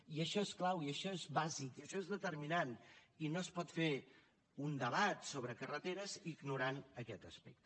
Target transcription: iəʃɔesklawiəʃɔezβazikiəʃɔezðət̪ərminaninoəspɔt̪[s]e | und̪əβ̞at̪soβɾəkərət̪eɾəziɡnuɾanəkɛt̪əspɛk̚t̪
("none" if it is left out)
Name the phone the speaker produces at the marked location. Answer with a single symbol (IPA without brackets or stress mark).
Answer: f